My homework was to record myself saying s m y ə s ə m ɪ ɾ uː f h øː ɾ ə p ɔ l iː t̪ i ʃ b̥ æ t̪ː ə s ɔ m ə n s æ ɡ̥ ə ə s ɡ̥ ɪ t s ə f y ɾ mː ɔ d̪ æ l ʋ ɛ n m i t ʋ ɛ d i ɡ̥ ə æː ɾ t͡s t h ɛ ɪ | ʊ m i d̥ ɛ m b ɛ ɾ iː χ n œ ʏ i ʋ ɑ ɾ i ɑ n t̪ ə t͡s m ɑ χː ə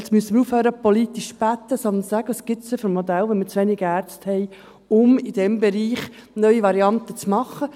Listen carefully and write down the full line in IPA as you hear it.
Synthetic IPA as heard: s m y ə s ə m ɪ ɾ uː f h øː ɾ ə p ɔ l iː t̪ i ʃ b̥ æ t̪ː ə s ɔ n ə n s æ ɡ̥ ə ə s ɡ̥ ɪ t s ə f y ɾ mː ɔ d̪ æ l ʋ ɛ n m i t͡s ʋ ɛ n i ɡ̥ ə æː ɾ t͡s t h ɛ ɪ | ʊ m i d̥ ɛ m b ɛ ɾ iː χ n œ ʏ i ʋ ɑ ɾ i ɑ n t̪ ə t͡s m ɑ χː ə